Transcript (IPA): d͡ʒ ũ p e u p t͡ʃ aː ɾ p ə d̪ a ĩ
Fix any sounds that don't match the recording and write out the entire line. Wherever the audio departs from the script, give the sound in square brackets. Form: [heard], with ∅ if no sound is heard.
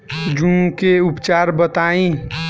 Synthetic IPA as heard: d͡ʒ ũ [k] e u p t͡ʃ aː ɾ [b] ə [t̪] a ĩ